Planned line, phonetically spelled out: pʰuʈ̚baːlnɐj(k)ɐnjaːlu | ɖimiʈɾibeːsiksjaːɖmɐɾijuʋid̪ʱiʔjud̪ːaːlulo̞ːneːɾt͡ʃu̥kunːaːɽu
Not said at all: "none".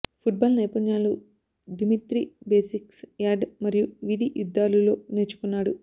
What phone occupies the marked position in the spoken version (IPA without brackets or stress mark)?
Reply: p